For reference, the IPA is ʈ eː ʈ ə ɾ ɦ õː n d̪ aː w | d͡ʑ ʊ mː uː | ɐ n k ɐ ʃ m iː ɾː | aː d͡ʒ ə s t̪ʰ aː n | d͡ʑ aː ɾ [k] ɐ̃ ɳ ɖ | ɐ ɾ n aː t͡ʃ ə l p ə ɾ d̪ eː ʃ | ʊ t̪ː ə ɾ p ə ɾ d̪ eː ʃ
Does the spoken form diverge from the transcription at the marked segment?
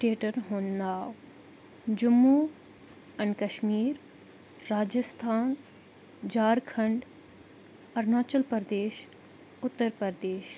yes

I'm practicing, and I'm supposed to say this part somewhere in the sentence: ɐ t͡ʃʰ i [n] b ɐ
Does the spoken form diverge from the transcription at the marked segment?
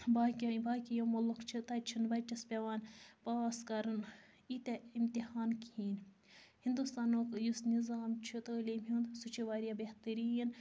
no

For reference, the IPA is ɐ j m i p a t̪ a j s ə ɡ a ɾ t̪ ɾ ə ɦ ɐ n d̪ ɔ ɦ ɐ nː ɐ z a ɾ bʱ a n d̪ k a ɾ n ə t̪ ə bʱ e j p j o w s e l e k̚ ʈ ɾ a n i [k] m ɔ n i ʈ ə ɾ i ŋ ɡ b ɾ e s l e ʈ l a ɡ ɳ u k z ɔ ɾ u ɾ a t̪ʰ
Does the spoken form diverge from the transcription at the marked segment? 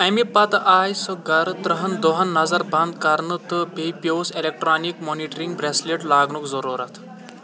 no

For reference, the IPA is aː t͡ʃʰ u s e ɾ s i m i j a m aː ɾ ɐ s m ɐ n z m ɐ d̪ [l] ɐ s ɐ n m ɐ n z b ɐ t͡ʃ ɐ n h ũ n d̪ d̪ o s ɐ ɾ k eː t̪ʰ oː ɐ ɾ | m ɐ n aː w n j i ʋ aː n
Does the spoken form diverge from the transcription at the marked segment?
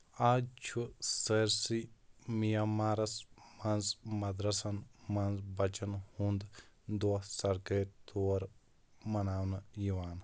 yes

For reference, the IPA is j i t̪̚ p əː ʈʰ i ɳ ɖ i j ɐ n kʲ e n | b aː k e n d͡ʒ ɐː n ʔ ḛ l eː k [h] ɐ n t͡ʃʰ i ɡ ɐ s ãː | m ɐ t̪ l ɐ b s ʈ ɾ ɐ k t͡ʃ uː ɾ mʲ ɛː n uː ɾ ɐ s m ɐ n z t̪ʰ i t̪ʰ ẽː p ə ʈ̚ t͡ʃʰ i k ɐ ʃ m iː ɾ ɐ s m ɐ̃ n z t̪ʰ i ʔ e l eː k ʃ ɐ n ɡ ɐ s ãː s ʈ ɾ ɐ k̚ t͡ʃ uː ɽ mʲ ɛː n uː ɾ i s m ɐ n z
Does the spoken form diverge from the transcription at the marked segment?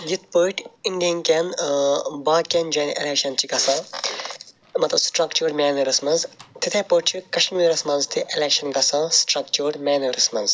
yes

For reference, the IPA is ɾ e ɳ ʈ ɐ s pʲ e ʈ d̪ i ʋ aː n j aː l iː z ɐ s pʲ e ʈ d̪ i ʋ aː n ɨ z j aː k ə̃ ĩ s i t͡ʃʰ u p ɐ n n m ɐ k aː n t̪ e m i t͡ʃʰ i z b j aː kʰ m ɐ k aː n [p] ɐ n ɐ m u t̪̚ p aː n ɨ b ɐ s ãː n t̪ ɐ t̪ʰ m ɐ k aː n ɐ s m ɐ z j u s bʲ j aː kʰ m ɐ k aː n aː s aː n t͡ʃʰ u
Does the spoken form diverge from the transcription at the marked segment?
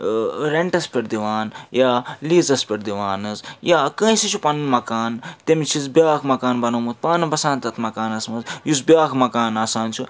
yes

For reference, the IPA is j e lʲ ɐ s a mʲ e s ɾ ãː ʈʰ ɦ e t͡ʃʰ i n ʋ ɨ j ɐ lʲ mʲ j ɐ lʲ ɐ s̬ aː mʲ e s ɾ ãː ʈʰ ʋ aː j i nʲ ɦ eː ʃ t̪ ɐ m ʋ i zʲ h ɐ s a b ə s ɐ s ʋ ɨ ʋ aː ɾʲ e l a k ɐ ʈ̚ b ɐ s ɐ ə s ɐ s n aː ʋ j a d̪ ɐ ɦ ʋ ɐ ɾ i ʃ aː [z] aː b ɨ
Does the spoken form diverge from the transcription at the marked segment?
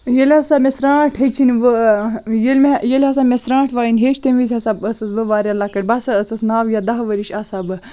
yes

